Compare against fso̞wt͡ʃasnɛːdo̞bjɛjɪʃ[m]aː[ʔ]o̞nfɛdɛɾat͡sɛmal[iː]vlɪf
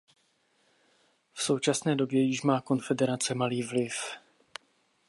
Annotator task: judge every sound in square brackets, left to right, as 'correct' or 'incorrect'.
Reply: correct, incorrect, correct

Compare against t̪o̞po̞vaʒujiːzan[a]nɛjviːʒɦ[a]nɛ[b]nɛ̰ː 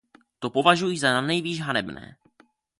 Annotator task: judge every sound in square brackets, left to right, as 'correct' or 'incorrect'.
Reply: correct, correct, correct

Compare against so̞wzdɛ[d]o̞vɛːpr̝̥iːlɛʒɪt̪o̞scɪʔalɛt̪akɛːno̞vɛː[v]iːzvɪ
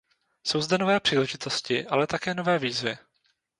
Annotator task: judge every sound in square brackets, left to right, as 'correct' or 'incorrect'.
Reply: incorrect, correct

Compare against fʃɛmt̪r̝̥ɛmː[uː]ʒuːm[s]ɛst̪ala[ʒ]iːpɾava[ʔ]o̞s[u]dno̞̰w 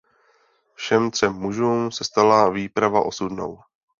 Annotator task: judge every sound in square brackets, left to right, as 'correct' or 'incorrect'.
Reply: incorrect, correct, incorrect, correct, correct

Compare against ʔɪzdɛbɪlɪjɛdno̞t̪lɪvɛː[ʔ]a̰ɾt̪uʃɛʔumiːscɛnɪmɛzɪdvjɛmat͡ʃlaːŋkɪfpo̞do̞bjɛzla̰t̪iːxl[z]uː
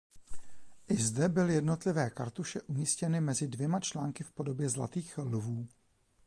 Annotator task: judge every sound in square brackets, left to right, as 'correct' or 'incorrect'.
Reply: incorrect, incorrect

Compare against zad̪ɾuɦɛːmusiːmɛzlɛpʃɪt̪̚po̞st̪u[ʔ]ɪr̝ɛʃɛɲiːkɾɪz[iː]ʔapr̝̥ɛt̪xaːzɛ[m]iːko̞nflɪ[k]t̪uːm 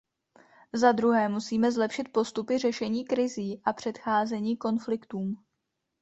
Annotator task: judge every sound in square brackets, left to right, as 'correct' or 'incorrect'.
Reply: incorrect, correct, incorrect, correct

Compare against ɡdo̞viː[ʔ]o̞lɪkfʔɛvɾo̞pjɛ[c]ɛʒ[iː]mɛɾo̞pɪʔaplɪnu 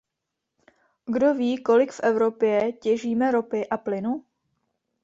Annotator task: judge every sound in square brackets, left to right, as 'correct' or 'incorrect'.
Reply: incorrect, correct, correct

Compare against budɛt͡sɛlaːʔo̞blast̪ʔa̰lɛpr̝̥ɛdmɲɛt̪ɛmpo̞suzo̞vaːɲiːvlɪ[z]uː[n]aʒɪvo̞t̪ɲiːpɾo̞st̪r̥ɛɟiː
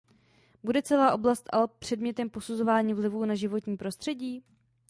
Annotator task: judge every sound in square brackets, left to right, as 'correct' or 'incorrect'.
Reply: incorrect, correct

